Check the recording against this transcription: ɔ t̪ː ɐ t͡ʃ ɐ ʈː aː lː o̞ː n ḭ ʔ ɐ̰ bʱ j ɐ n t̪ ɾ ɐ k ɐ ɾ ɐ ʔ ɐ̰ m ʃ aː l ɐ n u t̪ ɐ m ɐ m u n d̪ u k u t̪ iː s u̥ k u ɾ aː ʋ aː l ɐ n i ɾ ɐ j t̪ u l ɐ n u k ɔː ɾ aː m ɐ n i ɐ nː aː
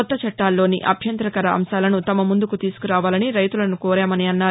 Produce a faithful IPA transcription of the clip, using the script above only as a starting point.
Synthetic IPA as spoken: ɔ t̪ː ɐ t͡ʃ ɐ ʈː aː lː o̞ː n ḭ ʔ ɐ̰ bʱ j ɐ n t̪ ɾ ɐ k ɐ ɾ ɐ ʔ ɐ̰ m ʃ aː l ɐ n u t̪ ɐ m ɐ m u n d̪ u k u t̪ iː s u̥ k u ɾ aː ʋ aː l ɐ n i ɾ ɐ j t̪ u l ɐ n u k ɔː ɾ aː m ɐ n i ɐ nː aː